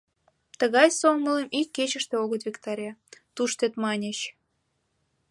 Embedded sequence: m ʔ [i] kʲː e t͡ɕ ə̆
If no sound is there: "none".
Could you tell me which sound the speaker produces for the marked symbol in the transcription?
i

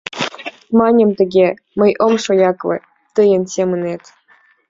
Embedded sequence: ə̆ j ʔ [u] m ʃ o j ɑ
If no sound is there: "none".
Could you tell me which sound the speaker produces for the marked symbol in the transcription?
o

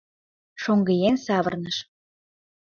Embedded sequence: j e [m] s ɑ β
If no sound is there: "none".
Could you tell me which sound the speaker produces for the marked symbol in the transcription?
n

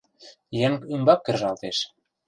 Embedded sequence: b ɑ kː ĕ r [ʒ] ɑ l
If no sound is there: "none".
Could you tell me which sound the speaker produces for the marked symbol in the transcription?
ʒ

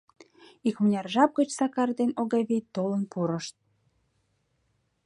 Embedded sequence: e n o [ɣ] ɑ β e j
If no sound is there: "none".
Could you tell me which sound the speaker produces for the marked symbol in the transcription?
ɣ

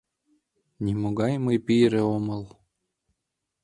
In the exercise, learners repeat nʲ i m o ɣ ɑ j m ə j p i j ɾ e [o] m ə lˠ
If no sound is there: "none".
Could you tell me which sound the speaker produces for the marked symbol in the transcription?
o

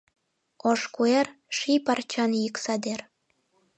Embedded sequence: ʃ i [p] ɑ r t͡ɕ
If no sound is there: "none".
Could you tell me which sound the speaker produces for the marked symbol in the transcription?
p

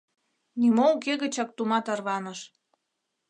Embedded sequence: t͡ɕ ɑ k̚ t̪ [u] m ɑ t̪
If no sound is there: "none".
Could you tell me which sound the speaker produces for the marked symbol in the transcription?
u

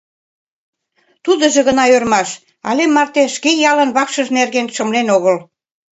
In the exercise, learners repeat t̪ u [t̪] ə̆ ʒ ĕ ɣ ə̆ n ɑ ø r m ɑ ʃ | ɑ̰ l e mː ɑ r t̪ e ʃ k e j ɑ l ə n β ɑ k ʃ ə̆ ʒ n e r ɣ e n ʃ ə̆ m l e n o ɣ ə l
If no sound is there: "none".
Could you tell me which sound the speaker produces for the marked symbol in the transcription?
d̪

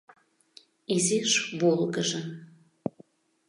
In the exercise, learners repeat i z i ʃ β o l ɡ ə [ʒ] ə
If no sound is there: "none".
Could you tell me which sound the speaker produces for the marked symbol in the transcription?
ʒ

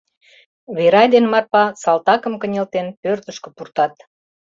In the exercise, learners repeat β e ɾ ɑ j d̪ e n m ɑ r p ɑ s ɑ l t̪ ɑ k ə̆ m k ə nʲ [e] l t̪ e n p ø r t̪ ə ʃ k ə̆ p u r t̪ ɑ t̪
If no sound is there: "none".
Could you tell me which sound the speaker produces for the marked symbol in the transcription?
e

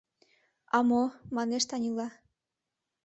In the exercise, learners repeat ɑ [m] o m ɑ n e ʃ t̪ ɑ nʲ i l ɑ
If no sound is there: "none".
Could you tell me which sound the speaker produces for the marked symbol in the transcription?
m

